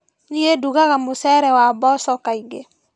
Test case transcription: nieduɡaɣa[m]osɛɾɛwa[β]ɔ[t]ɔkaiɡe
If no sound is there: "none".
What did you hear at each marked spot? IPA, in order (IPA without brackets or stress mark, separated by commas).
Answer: m, b, s